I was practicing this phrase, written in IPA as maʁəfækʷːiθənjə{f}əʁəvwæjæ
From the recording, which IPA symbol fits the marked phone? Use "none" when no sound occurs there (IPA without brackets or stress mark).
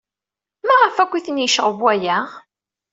ʃ